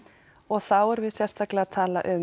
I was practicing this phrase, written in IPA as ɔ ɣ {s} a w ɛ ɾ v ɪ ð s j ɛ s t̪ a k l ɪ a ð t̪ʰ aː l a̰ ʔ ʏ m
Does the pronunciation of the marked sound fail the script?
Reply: yes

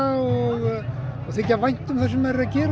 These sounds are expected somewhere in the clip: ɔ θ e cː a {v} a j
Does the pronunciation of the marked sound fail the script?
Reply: no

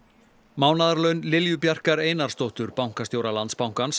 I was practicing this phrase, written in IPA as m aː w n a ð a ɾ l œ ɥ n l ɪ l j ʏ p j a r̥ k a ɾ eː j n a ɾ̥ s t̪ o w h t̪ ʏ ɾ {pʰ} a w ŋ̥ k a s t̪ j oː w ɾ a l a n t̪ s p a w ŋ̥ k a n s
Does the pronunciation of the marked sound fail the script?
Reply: yes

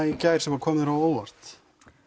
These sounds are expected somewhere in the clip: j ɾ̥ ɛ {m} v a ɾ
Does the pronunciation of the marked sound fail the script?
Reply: no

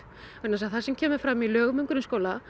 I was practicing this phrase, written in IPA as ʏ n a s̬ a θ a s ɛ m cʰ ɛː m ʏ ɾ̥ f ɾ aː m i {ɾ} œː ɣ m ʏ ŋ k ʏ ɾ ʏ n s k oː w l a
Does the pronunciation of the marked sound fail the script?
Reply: yes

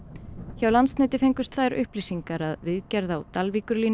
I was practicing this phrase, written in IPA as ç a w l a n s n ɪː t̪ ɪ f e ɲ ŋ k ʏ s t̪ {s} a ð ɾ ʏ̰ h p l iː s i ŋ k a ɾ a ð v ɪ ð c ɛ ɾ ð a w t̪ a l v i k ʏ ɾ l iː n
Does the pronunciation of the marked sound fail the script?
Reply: yes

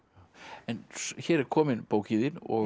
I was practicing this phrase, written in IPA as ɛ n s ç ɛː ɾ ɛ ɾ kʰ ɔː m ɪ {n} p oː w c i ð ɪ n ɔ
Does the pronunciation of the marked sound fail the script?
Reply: no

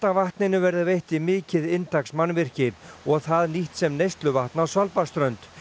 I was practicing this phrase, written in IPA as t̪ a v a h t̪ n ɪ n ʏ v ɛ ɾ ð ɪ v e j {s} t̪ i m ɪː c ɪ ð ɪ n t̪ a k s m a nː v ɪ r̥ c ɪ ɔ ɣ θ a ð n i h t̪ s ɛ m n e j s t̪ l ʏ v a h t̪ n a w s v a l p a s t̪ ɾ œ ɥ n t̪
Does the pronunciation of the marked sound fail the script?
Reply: yes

